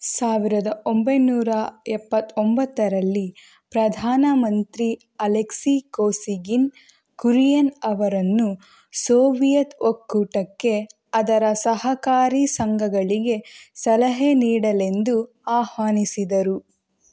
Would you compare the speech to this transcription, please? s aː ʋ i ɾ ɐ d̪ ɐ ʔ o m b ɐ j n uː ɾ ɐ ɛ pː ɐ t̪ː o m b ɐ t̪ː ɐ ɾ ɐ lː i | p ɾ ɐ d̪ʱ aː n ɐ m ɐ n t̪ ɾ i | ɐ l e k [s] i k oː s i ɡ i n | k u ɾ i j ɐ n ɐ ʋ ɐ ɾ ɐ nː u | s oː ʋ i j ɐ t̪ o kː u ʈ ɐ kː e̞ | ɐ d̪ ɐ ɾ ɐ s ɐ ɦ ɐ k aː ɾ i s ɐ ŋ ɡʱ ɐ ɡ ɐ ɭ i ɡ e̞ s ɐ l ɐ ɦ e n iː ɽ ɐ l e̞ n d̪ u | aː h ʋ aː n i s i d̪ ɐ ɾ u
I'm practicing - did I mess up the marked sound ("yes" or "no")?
no